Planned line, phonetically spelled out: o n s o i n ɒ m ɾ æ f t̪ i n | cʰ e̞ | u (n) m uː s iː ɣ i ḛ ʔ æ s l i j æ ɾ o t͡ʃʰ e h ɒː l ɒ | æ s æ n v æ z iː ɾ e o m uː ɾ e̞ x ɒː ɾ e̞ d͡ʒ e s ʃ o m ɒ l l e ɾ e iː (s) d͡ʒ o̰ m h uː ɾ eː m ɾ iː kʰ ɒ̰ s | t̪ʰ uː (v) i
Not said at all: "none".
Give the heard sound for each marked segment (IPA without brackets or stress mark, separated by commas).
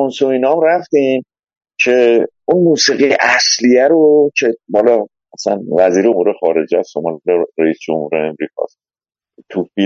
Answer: n, s, f